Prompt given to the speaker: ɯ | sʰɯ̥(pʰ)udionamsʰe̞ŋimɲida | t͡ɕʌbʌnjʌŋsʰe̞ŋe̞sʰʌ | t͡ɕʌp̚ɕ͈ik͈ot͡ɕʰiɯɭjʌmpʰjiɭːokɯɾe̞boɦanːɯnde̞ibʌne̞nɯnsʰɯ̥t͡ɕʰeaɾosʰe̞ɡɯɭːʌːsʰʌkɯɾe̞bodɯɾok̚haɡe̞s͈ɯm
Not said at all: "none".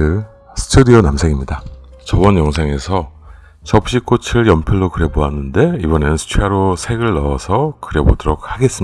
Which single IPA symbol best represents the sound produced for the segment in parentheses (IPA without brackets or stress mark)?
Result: tʰ